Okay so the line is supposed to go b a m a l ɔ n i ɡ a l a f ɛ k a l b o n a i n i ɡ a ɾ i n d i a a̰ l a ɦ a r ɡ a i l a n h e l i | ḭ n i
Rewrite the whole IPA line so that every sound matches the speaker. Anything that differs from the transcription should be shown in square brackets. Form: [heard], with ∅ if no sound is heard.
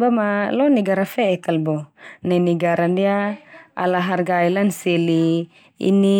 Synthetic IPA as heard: b a m a l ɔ n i ɡ a [ɾ] a f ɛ k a l b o n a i n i ɡ a ɾ [a] n d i a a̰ l a ɦ a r ɡ a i l a n [s] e l i | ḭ n i

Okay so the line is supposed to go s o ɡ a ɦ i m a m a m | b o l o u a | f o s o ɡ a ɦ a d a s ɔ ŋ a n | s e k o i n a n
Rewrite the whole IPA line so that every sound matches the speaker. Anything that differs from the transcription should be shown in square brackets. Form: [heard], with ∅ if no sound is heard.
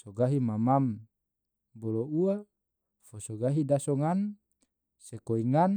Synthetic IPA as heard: s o ɡ a ɦ i m a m a m | b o l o u a | f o s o ɡ a ɦ [i] d a s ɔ ŋ a n | s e k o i [ŋ] a n

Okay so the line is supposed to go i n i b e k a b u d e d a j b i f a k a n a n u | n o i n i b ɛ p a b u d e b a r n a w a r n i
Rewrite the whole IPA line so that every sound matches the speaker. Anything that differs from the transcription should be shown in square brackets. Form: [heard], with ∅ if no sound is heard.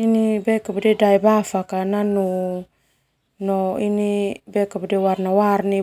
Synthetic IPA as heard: i n i b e k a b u d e d a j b [a] f a k a n a n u | n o i n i b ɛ [k] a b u d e [w] a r n a w a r n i

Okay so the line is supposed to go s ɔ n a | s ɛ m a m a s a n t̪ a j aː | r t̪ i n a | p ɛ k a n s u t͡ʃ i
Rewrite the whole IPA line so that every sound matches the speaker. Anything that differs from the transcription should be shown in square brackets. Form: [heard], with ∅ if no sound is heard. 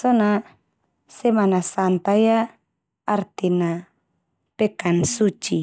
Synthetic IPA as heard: s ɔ n a | s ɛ m a [n] a s a n t̪ a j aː | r t̪ i n a | p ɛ k a n s u t͡ʃ i

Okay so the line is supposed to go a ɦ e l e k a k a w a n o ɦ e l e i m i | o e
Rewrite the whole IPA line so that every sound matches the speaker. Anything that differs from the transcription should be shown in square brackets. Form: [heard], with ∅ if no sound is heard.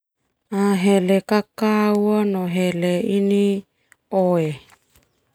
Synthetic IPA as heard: a ɦ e l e k a k a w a n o ɦ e l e i [n] i | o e

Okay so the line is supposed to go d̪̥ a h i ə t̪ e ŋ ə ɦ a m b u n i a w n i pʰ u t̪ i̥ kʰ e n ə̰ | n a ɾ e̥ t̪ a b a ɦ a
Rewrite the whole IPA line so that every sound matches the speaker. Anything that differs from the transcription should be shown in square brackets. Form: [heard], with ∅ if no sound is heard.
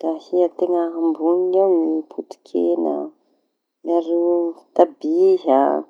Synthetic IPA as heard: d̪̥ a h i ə t̪ e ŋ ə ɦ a m b u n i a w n i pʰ u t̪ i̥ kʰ e n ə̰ | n a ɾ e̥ t̪ a b [i] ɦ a

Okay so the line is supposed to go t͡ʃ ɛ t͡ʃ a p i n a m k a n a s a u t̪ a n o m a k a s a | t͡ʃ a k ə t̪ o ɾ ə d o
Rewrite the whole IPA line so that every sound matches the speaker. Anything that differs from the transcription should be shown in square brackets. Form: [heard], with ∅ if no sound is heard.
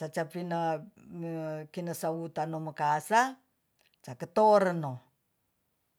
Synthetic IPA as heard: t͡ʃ [a] t͡ʃ a p i n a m k [i] n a s a u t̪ a n o m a k a s a | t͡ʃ a k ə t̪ o ɾ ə [n] o

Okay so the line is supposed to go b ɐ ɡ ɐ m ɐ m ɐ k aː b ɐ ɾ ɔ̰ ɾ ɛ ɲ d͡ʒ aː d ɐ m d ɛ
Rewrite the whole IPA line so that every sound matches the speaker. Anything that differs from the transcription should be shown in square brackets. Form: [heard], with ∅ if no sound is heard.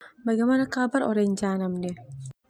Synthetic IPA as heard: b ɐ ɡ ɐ m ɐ [n] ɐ k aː b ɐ ɾ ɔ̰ ɾ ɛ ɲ d͡ʒ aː [n] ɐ m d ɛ

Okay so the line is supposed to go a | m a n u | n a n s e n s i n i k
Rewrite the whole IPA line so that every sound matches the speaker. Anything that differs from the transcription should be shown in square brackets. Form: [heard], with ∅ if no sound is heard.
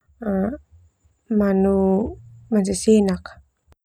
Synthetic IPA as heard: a | m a n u | [m] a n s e [∅] s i n [a] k

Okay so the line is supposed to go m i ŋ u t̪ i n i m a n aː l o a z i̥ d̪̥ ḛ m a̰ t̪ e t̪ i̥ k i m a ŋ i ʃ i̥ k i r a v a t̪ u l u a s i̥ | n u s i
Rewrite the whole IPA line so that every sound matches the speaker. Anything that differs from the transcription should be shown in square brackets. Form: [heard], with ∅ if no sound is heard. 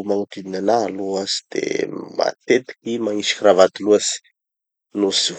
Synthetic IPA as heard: m [a] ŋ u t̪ i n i [n] a n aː l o a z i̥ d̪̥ ḛ m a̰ t̪ e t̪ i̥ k i m a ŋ i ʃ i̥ k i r a v a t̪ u l u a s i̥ | n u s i

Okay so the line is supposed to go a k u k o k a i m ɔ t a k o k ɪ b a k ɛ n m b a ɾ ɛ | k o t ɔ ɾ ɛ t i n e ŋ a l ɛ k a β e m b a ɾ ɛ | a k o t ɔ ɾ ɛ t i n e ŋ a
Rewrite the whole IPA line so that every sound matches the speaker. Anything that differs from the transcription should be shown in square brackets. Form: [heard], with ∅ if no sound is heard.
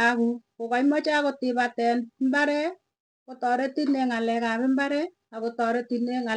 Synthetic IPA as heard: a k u k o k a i m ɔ [t͡ʃ] a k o [t] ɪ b a [t] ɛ n m b a ɾ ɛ | k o t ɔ ɾ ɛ t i n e ŋ a l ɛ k a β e m b a ɾ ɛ | a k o t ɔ ɾ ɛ t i n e ŋ a

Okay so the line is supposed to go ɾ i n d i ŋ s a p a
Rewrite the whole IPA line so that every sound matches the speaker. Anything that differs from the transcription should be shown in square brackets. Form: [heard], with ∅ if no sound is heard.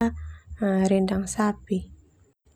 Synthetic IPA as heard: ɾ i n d [a] ŋ s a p [i]

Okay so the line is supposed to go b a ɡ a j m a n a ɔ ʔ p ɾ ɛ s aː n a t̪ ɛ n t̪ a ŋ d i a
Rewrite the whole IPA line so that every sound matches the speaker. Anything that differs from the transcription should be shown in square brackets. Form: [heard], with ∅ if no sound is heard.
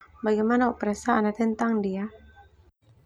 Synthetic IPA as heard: b a ɡ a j m a n a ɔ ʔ p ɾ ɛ s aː n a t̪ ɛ n t̪ a ŋ d i a

